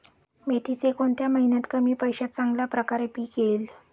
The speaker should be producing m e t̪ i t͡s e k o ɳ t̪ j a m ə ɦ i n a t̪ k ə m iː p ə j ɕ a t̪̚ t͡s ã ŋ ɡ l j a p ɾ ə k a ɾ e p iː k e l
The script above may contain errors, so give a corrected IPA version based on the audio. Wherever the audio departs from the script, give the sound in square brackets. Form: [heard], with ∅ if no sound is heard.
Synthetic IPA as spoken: m e t̪ i t͡s e k o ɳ t̪ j a m ə ɦ i n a t̪ k ə m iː p ə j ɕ a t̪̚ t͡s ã ŋ ɡ l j a p ɾ ə k a ɾ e p iː k e l